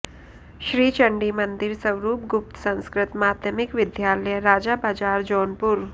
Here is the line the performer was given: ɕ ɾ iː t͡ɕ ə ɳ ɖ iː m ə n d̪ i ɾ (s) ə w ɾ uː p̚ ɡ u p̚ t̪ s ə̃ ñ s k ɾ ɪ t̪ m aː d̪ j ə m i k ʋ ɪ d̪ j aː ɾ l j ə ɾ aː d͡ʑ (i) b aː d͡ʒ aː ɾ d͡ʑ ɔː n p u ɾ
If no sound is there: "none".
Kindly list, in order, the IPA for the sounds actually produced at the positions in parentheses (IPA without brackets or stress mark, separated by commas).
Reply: s, a